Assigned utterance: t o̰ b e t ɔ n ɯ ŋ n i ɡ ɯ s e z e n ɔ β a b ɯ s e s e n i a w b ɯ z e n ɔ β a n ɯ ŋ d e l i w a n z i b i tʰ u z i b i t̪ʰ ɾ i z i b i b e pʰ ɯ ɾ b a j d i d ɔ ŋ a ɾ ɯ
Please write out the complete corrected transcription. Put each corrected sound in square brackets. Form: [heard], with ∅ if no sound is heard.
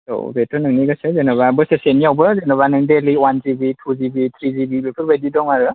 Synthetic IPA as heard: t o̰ b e t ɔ n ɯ ŋ n i ɡ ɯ s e z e n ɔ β a b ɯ s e s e n i a w b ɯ z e n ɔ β a n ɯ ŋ d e l i w a n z i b i tʰ u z i b i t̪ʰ ɾ i z i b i b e pʰ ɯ ɾ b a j d i d ɔ ŋ a ɾ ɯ

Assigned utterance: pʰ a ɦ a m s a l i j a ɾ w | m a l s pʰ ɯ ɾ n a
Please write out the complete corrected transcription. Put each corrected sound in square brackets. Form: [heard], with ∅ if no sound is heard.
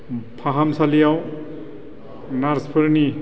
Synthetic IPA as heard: pʰ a ɦ a m s a l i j a [∅] w | [n] a [ɾ] s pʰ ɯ ɾ n [i]

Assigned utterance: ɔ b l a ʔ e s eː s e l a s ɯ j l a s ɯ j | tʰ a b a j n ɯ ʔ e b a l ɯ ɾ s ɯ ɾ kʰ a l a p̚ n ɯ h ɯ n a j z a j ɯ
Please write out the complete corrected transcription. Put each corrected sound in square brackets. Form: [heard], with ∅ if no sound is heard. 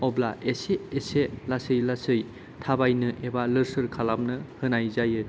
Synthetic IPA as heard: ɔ b l a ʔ e s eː s e l a s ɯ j l a s ɯ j | tʰ a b a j n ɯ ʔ e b a l ɯ ɾ s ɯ ɾ kʰ a l a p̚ n ɯ h ɯ n a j z a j ɯ

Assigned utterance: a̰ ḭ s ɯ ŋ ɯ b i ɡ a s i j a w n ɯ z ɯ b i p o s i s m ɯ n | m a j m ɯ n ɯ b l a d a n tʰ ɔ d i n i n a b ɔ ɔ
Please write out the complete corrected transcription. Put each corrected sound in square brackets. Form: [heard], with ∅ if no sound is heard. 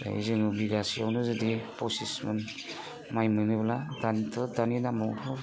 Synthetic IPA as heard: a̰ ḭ [z] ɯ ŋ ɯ b i ɡ a s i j a w n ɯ z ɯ [d] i p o s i s m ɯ n | m a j m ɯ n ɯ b l a d a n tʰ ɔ d [a] n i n a [m] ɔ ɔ

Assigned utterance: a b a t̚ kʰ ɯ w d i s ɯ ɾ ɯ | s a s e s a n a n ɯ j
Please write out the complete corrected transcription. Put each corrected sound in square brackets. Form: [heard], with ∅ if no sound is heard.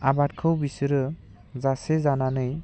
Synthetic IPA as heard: a b a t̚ kʰ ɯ w [b] i s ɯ ɾ ɯ | [z] a s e [z] a n a n ɯ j

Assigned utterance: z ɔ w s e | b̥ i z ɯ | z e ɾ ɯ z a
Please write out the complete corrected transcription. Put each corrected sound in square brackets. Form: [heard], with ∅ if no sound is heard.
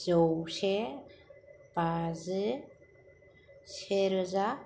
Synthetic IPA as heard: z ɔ w s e | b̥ [a] z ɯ | [s] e ɾ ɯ z a

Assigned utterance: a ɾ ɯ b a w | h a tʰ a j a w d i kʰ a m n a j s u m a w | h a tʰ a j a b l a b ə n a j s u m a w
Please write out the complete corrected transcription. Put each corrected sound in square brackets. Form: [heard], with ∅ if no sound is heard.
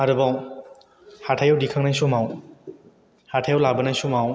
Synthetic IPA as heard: a ɾ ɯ b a w | h a tʰ a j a w d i kʰ a [ŋ] n a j s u m a w | h a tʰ a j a [w] l a b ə n a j s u m a w

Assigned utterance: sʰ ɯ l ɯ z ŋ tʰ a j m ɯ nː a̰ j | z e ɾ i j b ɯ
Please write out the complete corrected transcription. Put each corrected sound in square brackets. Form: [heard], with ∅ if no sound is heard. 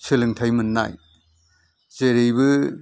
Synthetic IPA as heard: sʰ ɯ l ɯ [∅] ŋ tʰ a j m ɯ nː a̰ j | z e ɾ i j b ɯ

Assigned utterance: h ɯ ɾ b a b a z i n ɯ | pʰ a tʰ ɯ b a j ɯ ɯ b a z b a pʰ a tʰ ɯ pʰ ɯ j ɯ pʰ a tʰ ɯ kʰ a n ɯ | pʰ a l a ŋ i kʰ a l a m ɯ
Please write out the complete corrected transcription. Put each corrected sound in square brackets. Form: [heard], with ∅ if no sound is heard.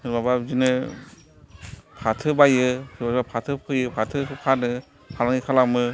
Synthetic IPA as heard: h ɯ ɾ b a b a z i n ɯ | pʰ a tʰ ɯ b a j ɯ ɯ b a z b a pʰ a tʰ ɯ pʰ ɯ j ɯ pʰ a tʰ ɯ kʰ a n ɯ | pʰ a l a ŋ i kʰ a l a m ɯ

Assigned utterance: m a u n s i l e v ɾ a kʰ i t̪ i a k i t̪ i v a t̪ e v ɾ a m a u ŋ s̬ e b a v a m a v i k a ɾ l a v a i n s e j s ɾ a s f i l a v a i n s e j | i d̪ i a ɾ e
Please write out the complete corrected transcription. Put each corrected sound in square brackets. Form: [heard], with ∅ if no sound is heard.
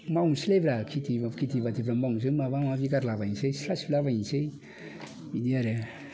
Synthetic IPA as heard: m a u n s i l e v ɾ a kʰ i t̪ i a k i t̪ i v a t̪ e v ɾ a m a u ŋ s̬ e [m] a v a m a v i k a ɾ l a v a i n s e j s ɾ a s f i l a v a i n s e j | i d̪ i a ɾ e

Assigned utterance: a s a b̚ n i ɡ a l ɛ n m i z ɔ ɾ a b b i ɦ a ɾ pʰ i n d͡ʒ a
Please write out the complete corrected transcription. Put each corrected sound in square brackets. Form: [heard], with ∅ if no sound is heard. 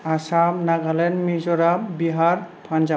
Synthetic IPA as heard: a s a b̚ n [a] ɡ a l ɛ n m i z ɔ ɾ a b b i ɦ a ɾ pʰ [a] n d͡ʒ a

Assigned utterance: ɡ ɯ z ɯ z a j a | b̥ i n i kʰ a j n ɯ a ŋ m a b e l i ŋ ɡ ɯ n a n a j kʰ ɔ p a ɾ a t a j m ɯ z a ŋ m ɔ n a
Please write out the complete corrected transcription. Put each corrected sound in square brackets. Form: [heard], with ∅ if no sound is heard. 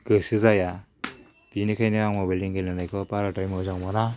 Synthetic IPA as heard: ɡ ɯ [s] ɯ z a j a | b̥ i n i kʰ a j n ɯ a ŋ m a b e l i ŋ ɡ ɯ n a n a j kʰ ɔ p a ɾ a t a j m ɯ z a ŋ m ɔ n a

